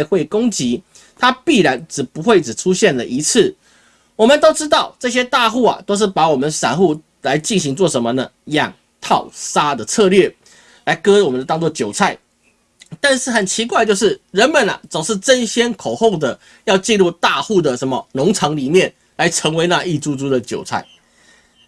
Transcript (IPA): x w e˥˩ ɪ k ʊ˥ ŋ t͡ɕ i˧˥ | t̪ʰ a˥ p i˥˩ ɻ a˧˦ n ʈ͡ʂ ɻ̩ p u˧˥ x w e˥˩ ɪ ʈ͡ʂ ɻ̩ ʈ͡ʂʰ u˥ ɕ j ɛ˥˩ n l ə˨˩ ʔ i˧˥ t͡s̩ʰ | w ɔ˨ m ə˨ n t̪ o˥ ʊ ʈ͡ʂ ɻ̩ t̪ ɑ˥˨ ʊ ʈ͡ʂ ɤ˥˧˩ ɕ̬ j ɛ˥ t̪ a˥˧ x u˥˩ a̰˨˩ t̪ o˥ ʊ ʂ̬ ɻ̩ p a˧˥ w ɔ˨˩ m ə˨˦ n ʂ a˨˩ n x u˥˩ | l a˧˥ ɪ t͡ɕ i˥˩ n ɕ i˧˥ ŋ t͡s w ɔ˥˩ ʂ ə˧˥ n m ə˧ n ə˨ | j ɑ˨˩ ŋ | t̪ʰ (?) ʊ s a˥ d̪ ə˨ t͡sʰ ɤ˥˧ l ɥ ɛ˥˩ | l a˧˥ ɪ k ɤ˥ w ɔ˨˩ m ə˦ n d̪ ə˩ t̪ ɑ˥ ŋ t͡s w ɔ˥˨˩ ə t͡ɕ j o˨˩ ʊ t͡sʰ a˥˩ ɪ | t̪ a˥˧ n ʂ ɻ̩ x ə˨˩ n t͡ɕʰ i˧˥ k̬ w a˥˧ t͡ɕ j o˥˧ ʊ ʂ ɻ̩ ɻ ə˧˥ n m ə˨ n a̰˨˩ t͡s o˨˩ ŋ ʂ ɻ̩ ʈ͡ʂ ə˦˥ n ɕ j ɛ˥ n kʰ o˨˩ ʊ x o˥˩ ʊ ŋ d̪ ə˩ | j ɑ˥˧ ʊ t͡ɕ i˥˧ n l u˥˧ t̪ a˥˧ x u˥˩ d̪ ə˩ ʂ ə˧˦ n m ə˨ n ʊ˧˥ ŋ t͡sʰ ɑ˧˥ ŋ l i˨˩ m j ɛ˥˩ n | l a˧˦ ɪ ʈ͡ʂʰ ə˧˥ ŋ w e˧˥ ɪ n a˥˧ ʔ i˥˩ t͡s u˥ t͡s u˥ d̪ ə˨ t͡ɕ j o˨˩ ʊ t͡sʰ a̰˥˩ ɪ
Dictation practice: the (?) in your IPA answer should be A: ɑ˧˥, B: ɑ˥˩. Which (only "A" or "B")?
B